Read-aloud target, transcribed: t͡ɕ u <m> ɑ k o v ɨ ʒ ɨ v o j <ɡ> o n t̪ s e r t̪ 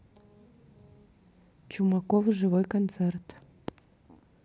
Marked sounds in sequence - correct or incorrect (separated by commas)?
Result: correct, incorrect